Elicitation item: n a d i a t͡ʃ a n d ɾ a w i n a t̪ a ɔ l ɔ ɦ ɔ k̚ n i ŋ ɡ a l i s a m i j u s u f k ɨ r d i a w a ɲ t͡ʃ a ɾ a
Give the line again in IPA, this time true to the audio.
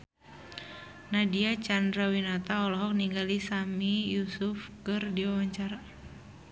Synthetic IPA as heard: n a d i a t͡ʃ a n d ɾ a w i n a t̪ a ɔ l ɔ ɦ ɔ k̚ n i ŋ ɡ a l i s a m i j u s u f k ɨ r d i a w a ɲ t͡ʃ a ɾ a